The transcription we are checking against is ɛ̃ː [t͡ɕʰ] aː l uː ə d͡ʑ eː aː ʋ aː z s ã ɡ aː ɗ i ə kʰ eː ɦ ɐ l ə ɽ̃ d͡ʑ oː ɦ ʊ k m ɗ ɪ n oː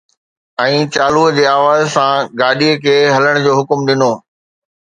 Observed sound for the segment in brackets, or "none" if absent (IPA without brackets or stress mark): t͡ɕ